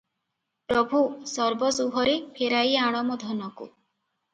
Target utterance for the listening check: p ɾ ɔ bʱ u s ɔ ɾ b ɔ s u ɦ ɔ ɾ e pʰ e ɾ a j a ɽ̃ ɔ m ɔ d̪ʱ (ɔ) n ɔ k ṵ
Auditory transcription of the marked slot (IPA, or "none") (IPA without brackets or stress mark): ɔ